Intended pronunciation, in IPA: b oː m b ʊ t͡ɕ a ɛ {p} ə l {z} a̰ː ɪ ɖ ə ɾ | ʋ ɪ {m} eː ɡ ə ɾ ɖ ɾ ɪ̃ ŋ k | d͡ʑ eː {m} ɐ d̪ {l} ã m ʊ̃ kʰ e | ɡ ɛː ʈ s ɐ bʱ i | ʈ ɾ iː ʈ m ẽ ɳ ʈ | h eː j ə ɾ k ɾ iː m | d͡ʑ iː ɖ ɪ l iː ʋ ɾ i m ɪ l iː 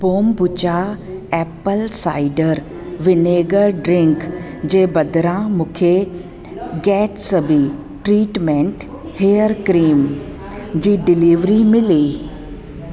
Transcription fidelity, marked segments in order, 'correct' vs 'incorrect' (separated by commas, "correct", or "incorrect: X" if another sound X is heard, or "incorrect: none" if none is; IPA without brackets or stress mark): correct, incorrect: s, incorrect: n, incorrect: b, incorrect: ɾ